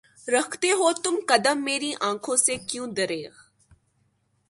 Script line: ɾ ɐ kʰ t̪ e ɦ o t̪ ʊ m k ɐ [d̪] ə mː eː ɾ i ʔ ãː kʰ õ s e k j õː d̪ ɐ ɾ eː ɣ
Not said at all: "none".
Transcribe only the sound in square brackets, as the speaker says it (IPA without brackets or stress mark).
d̪